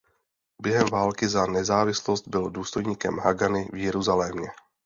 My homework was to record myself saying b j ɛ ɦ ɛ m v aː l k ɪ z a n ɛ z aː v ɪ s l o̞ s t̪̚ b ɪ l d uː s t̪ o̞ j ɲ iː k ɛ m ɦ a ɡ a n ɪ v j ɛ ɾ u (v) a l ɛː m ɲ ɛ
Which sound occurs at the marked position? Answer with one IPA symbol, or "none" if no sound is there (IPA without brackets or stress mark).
z